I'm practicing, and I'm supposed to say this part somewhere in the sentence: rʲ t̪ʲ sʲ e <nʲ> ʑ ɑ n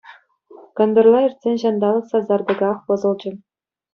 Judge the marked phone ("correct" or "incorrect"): correct